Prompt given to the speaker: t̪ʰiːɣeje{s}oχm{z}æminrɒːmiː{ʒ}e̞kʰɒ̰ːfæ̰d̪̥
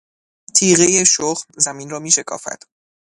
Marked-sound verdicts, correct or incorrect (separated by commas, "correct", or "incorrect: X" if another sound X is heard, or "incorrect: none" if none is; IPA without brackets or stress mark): incorrect: ʃ, correct, incorrect: ʃ